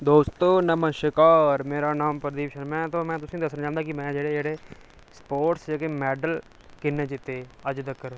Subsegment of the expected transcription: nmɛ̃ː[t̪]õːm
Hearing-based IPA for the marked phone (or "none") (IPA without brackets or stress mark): t̪